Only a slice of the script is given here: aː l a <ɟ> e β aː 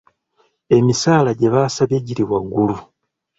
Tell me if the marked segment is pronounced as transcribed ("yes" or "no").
yes